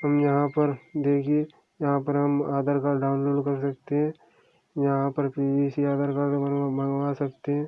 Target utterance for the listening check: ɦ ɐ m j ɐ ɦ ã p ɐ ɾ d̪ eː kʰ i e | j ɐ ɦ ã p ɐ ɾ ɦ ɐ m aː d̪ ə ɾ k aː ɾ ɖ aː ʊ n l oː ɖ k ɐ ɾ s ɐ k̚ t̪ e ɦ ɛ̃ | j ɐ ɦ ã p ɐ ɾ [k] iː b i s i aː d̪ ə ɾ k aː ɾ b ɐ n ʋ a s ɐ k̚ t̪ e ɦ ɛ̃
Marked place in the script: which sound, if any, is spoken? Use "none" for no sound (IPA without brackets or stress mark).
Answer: p